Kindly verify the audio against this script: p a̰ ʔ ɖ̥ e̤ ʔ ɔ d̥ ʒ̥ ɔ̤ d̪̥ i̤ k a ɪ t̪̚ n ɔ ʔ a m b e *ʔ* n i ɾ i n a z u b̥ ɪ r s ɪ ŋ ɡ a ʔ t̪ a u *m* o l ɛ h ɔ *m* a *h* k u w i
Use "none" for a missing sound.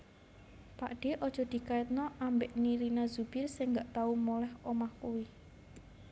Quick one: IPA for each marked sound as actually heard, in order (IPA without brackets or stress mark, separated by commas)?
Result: ʔ, m, m, h